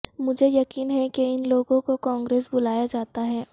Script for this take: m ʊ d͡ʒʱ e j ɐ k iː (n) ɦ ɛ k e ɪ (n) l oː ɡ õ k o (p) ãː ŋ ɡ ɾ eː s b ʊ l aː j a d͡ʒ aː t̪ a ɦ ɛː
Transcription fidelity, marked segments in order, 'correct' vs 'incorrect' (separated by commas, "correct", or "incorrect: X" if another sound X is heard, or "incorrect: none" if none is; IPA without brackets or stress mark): correct, correct, incorrect: k